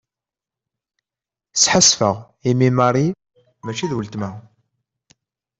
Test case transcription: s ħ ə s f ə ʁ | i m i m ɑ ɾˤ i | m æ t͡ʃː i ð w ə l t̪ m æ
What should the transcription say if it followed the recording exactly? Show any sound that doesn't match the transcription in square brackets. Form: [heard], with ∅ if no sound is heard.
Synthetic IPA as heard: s ħ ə s f ə ʁ | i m i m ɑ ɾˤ i | m æ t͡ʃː i ð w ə l t̪ m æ